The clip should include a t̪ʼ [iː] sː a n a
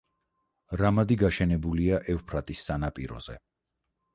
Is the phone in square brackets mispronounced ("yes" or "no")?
yes